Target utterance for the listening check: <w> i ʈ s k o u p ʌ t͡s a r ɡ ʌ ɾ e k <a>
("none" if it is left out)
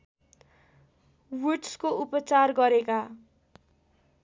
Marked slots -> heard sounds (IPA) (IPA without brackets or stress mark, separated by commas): w, a